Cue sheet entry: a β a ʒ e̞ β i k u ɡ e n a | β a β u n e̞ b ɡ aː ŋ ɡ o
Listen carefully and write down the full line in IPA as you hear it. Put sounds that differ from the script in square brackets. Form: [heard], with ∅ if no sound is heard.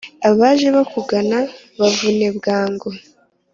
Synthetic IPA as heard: a β a ʒ e̞ β [a] k u ɡ [a] n a | β a [v] u n e̞ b ɡ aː ŋ ɡ o

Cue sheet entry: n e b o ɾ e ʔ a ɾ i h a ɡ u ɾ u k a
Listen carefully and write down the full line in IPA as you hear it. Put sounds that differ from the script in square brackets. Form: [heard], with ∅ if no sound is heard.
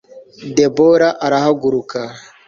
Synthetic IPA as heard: [d] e b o ɾ [a] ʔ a ɾ [a] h a ɡ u ɾ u k a

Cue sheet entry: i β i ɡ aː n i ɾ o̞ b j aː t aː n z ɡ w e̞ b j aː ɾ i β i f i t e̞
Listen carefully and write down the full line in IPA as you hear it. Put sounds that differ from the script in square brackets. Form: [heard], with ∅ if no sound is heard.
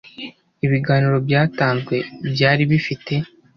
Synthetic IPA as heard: i β i ɡ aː n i ɾ o̞ b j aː t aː n z ɡ w e̞ b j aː ɾ i β i f i t e̞

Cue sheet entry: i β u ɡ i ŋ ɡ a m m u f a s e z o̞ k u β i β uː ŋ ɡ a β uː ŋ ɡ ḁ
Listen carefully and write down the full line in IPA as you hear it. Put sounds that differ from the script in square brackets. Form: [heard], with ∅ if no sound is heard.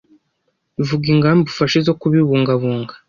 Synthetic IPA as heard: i [v] u ɡ i ŋ ɡ a m [b] u f a [ʃ] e z o̞ k u β i β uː ŋ ɡ a β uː ŋ ɡ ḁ

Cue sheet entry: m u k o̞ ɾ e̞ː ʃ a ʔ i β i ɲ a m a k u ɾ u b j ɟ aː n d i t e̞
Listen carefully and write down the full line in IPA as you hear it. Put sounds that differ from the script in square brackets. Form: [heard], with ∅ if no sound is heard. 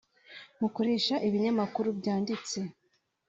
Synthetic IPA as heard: m u k o̞ ɾ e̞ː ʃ a ʔ i β i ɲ a m a k u ɾ u b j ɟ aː n d i [t͡s] e̞

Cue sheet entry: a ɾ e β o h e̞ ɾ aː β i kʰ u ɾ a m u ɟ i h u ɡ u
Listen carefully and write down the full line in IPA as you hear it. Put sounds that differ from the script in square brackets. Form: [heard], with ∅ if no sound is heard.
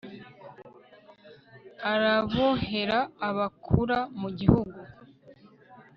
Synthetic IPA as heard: a ɾ [a] β o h e̞ ɾ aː β [a] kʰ u ɾ a m u ɟ i h u ɡ u

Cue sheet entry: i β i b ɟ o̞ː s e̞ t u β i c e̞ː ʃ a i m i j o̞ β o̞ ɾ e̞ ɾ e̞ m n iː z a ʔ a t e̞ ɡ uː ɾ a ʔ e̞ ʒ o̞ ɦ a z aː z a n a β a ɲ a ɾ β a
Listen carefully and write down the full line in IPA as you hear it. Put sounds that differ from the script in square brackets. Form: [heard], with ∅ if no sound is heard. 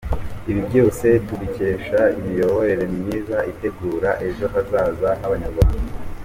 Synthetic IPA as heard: i β i b ɟ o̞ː s e̞ t u β i c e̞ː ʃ a i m i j o̞ β o̞ ɾ e̞ ɾ e̞ m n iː z a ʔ [i] t e̞ ɡ uː ɾ a ʔ e̞ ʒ o̞ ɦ a z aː z a n a β a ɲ a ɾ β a

